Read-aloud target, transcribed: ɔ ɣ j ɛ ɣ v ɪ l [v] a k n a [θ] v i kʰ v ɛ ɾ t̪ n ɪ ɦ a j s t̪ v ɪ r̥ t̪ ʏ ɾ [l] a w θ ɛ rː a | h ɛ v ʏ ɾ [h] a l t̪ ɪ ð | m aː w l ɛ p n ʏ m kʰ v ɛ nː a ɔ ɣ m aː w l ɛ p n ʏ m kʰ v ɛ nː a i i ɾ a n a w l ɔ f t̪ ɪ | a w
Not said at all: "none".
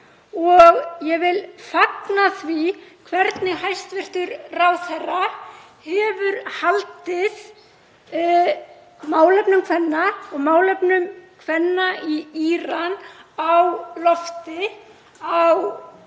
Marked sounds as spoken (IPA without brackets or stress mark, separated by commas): f, θ, r, h